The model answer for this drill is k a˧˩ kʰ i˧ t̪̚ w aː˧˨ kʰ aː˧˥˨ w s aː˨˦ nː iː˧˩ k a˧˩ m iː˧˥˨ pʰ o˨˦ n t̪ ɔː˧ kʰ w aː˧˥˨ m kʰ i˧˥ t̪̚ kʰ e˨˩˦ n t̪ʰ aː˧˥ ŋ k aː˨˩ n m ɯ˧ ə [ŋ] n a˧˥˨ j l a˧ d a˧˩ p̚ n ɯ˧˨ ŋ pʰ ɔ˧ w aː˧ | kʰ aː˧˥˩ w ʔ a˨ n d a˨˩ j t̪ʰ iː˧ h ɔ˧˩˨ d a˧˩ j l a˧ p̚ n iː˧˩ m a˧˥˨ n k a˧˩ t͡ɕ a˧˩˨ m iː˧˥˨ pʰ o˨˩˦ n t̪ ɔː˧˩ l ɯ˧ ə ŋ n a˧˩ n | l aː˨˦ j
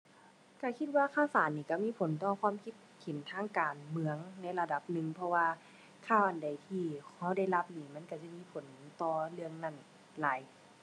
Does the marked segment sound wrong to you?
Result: no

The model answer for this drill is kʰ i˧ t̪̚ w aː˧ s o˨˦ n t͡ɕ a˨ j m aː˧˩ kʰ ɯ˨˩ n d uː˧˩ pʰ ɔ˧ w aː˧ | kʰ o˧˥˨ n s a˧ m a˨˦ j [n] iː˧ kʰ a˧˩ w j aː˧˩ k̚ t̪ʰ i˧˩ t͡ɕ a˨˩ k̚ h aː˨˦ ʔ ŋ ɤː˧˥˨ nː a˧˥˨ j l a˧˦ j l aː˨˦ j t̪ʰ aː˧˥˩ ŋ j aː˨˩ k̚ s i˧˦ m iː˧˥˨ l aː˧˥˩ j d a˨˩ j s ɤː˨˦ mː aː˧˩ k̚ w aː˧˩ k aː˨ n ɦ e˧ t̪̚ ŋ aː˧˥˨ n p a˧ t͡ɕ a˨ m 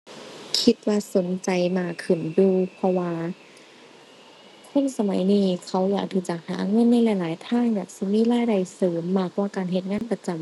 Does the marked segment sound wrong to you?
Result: no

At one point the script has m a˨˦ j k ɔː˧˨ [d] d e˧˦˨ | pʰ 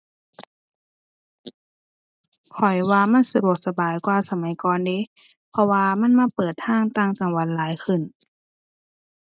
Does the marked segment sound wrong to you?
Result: yes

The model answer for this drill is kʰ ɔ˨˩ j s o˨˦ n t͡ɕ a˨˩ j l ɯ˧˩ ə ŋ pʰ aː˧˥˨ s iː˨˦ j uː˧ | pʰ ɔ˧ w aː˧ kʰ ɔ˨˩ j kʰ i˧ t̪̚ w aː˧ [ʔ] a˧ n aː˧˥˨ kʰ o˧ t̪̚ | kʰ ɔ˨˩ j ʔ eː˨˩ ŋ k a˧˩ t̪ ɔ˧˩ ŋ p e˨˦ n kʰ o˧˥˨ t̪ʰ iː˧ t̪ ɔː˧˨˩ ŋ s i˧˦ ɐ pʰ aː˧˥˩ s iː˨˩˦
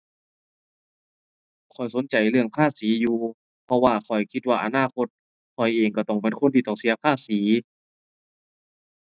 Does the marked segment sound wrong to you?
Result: no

